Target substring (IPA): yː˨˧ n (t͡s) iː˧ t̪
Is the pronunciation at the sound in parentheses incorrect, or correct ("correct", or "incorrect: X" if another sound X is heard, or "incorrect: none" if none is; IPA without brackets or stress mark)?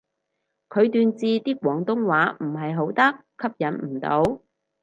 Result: correct